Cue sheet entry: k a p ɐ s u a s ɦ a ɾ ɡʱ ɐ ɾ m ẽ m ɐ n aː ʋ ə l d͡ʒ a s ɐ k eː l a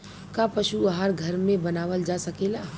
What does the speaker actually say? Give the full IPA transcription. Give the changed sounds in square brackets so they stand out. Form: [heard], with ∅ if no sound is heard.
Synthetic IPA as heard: k a p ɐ [ʃ] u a [∅] ɦ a ɾ ɡʱ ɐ ɾ m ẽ [b] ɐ n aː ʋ ə l d͡ʒ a s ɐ k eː l a